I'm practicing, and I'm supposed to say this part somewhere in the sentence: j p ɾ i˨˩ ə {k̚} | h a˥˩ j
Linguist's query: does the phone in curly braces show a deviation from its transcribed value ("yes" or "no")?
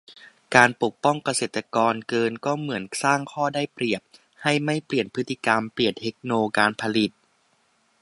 yes